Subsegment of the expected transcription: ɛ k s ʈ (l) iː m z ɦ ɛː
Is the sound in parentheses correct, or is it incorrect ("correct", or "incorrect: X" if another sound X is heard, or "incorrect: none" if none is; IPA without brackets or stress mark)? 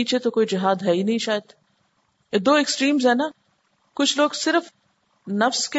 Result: incorrect: ɾ